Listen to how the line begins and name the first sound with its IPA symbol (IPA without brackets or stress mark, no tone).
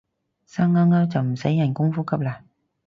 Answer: s